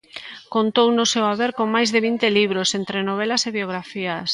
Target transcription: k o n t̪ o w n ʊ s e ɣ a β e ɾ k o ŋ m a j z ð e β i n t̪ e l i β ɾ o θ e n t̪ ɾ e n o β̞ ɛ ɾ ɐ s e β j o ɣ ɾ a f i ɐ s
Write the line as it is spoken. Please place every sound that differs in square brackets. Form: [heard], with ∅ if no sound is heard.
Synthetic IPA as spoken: k o n t̪ o w n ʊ s e [w] a β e ɾ k o ŋ m a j z ð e β i n t̪ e l i β ɾ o [s] e n t̪ ɾ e n o β̞ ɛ [l] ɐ s e β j o ɣ ɾ a f i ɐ s